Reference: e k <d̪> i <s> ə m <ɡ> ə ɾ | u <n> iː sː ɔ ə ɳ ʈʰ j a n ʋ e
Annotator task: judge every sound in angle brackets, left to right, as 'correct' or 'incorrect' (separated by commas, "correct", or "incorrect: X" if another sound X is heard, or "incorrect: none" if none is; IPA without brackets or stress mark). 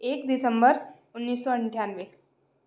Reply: correct, correct, incorrect: b, incorrect: nː